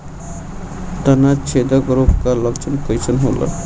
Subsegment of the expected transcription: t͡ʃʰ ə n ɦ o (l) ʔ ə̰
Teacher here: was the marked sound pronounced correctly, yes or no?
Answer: yes